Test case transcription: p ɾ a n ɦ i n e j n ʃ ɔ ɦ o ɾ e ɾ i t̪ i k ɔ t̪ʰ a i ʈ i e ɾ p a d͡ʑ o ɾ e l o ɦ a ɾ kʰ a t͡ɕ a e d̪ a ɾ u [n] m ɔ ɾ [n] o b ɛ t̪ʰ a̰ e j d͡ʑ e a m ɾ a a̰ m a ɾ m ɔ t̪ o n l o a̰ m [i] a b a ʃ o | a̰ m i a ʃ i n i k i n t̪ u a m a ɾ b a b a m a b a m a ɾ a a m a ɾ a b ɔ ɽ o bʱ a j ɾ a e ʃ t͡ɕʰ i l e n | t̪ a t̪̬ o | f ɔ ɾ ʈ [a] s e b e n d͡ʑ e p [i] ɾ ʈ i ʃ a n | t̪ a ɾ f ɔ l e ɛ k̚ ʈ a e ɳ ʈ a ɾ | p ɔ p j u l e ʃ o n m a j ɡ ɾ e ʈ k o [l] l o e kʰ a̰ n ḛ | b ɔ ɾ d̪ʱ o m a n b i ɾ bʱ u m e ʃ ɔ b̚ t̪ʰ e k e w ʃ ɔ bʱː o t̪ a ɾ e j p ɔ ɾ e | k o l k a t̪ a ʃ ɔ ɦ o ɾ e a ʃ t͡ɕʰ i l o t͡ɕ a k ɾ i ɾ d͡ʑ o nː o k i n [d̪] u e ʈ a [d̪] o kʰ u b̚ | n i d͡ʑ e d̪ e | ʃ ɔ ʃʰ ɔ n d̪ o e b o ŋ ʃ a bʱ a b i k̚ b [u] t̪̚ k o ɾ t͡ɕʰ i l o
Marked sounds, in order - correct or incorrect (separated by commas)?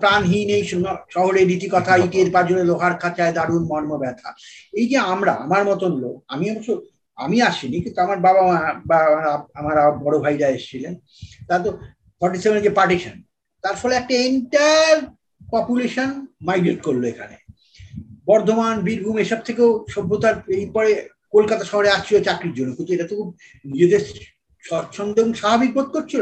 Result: correct, incorrect, correct, incorrect, incorrect, incorrect, incorrect, incorrect, incorrect